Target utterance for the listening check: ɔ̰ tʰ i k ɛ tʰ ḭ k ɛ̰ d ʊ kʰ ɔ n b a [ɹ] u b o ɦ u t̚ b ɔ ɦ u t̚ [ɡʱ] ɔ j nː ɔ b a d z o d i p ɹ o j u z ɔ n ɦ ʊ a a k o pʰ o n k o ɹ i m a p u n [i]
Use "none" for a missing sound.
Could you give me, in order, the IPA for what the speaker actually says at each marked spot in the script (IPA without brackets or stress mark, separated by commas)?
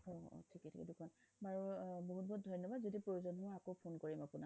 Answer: ɹ, dʱ, a